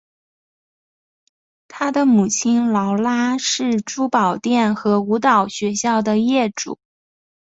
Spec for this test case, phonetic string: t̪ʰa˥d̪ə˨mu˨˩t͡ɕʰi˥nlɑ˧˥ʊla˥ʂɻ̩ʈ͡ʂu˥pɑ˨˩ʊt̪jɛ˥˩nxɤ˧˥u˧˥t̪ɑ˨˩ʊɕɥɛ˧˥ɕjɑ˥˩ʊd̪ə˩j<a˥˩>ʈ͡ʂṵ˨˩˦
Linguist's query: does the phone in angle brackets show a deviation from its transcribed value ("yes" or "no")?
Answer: yes